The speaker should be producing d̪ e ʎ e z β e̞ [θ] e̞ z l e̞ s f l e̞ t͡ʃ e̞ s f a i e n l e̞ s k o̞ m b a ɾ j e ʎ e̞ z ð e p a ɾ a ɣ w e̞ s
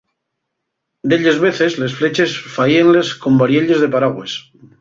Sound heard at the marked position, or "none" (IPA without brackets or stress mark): θ